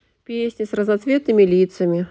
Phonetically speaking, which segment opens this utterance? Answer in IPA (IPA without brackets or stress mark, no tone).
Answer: pʲ